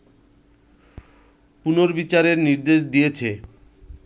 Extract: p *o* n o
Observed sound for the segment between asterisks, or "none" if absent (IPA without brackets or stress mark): u